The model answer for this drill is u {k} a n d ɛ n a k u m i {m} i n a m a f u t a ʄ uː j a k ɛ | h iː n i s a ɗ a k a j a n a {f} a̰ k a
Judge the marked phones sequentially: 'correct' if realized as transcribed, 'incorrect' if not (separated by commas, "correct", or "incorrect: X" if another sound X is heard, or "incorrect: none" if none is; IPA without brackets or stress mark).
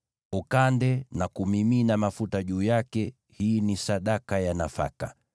correct, correct, correct